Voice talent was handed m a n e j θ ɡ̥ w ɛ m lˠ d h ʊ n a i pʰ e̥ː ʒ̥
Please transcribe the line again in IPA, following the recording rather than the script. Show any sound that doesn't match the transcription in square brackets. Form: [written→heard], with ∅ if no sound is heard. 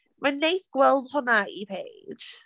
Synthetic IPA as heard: m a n e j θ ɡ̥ w ɛ [m→∅] lˠ d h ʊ n a i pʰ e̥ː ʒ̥